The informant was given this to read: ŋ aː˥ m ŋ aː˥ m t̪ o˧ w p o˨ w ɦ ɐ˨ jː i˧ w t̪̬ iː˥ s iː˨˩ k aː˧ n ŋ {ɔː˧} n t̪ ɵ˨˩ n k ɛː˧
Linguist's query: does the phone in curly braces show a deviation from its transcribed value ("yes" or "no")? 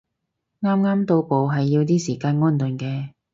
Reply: yes